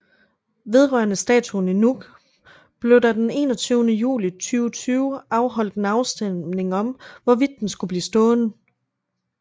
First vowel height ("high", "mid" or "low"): mid